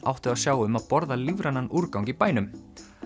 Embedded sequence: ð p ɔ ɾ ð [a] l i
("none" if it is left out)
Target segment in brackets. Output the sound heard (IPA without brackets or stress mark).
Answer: a